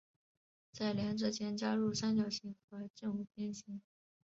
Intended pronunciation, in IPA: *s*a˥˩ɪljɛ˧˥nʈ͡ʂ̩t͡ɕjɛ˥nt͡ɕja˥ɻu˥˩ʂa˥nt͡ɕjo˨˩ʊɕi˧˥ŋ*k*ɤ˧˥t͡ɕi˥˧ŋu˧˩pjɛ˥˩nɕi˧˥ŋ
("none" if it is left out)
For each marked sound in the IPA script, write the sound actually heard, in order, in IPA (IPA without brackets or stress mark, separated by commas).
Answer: t͡s, x